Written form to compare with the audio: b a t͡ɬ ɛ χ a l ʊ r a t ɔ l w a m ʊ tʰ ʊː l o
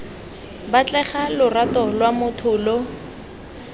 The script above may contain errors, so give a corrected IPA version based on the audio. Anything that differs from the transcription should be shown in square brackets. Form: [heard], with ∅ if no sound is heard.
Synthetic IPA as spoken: b a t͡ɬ ɛ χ a l ʊ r a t ɔ l w a m ʊ tʰ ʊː l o